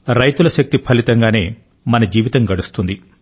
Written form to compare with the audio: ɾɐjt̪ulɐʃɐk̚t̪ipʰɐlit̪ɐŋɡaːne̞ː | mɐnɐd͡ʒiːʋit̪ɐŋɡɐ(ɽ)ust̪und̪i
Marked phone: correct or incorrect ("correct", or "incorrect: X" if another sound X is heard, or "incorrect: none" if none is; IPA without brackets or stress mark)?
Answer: correct